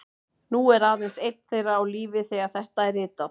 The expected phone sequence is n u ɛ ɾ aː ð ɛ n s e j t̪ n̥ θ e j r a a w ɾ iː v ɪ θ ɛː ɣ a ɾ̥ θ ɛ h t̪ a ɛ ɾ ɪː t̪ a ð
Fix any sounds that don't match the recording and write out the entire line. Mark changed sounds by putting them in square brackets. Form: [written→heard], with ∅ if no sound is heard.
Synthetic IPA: n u ɛ ɾ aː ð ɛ n s e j t̪ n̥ θ e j r a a w [ɾ→l] iː v ɪ θ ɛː ɣ a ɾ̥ θ ɛ h t̪ a ɛ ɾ ɪː t̪ a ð